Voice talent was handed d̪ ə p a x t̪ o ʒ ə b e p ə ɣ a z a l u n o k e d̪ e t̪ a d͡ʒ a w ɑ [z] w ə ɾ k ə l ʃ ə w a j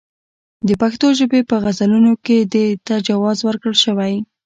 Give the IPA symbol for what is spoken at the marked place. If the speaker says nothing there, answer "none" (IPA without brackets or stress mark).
z